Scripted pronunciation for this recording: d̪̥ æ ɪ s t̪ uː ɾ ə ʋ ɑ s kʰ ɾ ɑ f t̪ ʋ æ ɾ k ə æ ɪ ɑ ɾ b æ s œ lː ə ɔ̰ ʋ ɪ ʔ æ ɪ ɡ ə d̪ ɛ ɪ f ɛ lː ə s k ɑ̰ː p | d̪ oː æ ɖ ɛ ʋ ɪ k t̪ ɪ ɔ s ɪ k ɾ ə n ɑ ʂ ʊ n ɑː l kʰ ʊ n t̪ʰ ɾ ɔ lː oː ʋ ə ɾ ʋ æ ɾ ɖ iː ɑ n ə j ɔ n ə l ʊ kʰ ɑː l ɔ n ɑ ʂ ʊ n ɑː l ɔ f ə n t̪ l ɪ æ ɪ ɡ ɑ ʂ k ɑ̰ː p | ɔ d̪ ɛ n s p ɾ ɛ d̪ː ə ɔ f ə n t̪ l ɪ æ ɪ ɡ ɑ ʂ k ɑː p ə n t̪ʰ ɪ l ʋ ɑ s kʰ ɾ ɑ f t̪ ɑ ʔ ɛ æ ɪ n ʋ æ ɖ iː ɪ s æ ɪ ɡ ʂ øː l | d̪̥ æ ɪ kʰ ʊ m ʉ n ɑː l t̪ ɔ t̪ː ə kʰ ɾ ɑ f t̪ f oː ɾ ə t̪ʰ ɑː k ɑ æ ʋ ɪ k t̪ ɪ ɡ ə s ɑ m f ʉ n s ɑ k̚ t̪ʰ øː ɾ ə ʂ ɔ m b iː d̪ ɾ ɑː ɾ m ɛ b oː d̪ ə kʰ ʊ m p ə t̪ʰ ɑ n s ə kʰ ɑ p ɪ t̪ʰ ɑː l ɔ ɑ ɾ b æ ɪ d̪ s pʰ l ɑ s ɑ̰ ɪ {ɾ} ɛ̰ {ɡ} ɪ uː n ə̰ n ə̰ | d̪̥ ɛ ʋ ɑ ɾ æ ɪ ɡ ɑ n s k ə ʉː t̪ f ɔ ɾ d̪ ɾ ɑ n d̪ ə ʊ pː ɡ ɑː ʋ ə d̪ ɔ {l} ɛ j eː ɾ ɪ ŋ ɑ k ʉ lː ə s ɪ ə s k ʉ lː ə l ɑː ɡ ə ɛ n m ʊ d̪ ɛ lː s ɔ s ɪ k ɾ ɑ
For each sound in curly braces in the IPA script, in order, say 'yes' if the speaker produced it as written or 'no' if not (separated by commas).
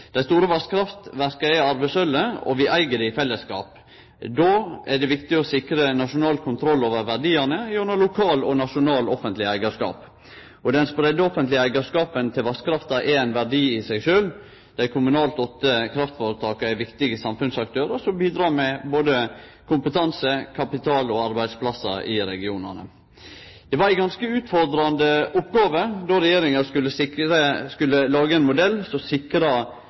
yes, yes, no